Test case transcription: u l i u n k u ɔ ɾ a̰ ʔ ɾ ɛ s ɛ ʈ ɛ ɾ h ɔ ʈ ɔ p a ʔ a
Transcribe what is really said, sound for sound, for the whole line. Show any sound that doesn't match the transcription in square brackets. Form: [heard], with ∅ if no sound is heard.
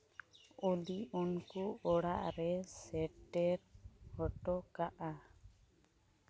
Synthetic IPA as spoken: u l i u n k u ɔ [ɽ] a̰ ʔ ɾ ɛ s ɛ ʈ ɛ ɾ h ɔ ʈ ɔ [k] a ʔ a